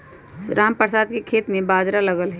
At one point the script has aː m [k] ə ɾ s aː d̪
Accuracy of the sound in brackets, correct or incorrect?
incorrect